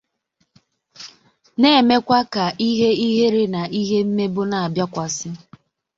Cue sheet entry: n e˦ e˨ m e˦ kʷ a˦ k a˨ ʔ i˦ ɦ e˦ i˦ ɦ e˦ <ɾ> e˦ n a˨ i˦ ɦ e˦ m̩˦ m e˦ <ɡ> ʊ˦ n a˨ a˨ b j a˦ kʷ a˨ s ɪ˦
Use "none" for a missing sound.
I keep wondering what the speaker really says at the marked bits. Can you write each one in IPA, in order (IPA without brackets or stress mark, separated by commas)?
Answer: ɾ, b